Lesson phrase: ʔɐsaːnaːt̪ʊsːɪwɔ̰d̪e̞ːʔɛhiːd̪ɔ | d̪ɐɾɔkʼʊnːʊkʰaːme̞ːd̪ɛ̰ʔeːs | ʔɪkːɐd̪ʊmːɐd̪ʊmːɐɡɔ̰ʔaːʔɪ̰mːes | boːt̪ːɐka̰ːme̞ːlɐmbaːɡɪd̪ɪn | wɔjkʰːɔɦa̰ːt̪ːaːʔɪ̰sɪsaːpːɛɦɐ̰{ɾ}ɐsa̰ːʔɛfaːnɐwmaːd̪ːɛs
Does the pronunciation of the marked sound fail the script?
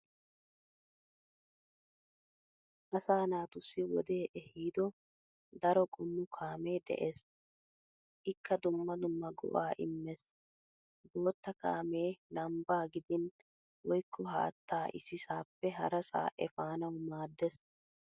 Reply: no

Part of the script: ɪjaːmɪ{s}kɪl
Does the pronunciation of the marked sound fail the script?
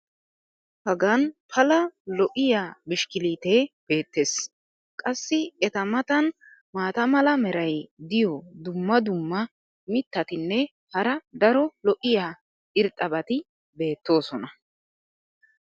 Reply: yes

